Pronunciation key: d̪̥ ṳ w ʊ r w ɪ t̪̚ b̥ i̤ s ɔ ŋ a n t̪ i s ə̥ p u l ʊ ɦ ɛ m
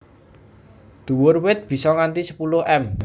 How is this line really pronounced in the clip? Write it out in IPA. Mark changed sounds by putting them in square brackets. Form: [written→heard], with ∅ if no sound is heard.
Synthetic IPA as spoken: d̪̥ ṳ w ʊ r w ɪ t̪̚ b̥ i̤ s ɔ ŋ a n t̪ i s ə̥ p u l ʊ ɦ ɛ m